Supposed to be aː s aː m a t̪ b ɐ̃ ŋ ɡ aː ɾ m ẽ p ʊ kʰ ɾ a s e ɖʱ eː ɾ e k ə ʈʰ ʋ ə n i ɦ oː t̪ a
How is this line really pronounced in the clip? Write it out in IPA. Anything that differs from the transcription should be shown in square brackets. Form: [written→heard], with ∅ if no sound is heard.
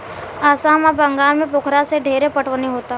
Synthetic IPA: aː s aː m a [t̪→∅] b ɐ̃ ŋ ɡ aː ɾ m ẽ p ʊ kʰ ɾ a s e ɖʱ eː ɾ e [k→p] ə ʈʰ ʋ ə n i ɦ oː t̪ a

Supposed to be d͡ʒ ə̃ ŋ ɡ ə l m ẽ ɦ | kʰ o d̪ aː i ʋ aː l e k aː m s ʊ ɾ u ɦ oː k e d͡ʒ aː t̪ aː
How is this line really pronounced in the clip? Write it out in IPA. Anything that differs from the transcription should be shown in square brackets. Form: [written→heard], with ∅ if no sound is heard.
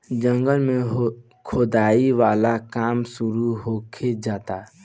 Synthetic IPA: d͡ʒ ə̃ ŋ ɡ ə l m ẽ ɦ | kʰ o d̪ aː i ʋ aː l [e→a] k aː m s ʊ ɾ u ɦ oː [k→kʰ] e d͡ʒ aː t̪ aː

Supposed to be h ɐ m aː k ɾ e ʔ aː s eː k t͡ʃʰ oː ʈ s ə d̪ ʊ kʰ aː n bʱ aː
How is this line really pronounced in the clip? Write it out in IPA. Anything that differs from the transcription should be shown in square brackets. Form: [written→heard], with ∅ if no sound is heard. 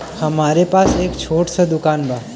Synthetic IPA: h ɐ m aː [k→∅] ɾ e [ʔ→p] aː s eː k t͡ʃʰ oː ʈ s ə d̪ ʊ [kʰ→k] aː n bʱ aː

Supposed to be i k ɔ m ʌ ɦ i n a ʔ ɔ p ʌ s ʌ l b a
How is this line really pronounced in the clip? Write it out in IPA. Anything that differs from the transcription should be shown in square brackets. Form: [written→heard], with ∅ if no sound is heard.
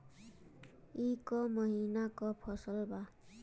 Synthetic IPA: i k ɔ m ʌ ɦ i n a [ʔ→k] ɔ [p→pʰ] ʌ s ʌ l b a

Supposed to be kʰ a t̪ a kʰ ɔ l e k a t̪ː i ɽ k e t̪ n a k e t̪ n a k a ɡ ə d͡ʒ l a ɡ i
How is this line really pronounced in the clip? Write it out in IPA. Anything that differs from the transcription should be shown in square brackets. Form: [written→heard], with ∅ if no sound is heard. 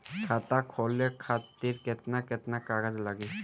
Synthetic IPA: kʰ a t̪ a kʰ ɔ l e [k→kʰ] a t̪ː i [ɽ→ɾ] k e t̪ n a k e t̪ n a k a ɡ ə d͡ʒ l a ɡ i

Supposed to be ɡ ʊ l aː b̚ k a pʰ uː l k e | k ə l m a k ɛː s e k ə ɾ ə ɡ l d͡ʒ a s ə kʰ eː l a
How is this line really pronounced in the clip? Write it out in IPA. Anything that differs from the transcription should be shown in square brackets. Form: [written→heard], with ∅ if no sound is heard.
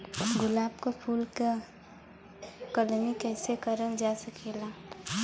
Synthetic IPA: ɡ ʊ l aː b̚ k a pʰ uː l k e | k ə l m [a→i] k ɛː s e k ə ɾ ə [ɡ→∅] l d͡ʒ a s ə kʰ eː l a

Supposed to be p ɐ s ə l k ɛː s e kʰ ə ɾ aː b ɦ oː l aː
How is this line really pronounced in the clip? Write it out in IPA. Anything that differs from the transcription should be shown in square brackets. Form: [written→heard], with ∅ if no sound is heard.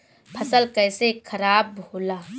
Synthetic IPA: [p→pʰ] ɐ s ə l k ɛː s e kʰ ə ɾ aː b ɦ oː l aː

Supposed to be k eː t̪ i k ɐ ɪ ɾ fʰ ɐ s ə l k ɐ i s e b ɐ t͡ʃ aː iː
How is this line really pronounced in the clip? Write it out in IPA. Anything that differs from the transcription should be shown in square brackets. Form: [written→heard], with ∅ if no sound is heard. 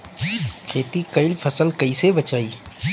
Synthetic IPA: [k→kʰ] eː t̪ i k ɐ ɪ [ɾ→l] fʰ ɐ s ə l k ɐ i s e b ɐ t͡ʃ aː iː

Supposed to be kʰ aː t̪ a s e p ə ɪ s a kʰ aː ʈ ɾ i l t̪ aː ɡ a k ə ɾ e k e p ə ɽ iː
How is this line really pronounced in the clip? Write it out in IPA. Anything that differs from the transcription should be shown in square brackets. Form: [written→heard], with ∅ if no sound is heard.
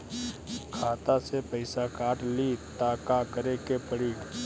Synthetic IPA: kʰ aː t̪ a s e p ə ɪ s a [kʰ→k] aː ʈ [ɾ→l] i [l→∅] t̪ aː [ɡ→k] a k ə ɾ e k e p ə ɽ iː

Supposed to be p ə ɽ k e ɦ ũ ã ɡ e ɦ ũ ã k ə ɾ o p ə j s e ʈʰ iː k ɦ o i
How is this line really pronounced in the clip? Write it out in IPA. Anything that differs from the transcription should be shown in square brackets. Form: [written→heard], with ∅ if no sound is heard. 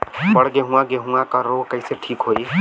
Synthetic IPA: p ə ɽ [k→ɡ] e ɦ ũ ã ɡ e ɦ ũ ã k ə ɾ o [p→k] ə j s e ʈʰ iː k ɦ o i

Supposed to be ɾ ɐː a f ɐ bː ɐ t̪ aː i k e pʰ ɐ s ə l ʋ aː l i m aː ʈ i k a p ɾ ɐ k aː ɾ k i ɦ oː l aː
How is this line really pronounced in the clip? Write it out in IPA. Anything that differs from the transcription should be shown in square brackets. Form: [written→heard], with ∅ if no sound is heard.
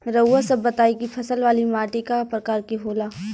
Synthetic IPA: ɾ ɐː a [f→s] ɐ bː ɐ t̪ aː i k [e→i] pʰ ɐ s ə l ʋ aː l i m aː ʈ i k a p ɾ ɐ k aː ɾ k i ɦ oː l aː

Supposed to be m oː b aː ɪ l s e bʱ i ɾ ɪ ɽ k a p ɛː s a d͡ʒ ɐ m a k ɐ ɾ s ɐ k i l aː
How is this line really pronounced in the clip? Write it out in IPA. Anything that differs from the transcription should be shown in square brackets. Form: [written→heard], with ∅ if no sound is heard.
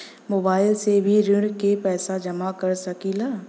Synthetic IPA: m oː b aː ɪ l s e bʱ i ɾ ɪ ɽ k [a→e] p ɛː s a d͡ʒ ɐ m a k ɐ ɾ s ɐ k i l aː

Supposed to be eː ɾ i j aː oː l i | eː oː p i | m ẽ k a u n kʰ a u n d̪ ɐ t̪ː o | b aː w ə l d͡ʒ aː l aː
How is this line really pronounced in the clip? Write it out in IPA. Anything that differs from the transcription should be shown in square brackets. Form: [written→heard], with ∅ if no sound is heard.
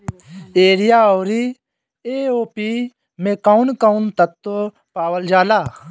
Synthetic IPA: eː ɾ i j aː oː [l→ɾ] i | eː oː p i | m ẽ k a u n [kʰ→k] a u n [d̪→t̪] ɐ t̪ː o | [b→p] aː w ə l d͡ʒ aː l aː

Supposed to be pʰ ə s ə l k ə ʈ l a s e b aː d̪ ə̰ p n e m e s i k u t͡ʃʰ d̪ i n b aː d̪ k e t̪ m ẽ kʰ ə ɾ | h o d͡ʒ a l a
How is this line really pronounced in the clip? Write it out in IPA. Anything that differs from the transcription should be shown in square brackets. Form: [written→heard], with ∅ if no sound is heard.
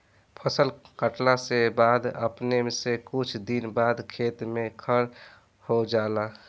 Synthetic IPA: pʰ ə s ə l k ə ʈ l a s e b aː d̪ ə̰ p n e m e s [i→e] k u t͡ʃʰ d̪ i n b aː d̪ [k→kʰ] e t̪ m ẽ kʰ ə ɾ | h o d͡ʒ a l a

